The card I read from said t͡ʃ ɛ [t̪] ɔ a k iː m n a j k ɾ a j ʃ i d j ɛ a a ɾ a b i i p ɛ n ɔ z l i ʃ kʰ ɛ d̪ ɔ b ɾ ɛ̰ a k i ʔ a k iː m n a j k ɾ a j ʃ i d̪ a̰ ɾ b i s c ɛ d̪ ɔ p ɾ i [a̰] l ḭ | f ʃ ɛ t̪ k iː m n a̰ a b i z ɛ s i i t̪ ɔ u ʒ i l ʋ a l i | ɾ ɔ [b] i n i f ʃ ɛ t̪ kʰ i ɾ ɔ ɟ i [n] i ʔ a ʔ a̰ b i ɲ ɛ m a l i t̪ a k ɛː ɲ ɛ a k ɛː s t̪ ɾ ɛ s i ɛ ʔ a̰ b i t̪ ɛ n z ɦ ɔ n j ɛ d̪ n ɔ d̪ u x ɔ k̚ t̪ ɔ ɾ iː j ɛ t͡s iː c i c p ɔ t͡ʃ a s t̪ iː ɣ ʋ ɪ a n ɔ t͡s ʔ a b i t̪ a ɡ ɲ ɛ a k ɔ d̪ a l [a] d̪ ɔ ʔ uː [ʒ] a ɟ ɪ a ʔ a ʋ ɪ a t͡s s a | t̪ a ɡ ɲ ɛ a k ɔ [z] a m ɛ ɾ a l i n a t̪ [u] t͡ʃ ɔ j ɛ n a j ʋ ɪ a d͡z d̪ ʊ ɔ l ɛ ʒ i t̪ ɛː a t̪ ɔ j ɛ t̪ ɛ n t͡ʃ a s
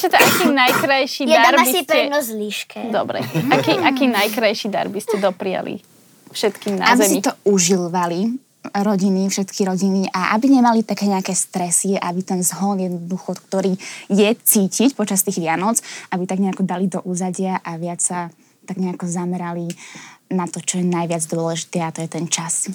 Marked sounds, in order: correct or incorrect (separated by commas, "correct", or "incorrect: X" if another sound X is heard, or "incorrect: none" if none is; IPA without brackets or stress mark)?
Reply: correct, correct, incorrect: ɟ, correct, incorrect: i, incorrect: z, correct, incorrect: ɔ